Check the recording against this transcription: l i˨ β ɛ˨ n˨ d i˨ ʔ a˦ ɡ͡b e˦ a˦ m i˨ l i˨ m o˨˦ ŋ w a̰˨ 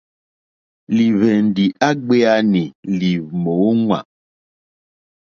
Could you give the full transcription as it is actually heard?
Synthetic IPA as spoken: l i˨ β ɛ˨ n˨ d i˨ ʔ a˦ ɡ͡b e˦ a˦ n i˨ l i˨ m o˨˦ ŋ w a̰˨